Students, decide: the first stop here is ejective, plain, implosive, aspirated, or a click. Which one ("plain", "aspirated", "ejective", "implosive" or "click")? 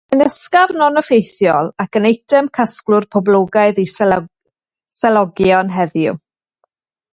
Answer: plain